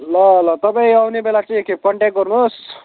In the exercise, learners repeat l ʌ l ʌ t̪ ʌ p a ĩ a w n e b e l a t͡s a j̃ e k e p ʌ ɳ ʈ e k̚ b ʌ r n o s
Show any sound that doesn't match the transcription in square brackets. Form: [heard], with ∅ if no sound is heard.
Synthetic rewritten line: l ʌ l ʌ t̪ ʌ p a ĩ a w n e b e l a t͡s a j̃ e k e p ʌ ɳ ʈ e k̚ [ɡ] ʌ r n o s